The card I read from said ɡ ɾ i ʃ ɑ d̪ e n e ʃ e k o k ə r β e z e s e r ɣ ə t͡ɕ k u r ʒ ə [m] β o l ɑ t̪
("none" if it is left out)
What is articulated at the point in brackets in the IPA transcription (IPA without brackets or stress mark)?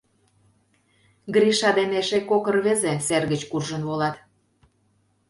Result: n